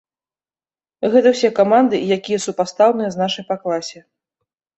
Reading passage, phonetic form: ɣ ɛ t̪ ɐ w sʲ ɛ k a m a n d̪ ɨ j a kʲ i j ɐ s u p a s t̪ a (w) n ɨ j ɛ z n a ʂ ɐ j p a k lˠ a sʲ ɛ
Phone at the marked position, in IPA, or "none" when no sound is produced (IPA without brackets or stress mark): w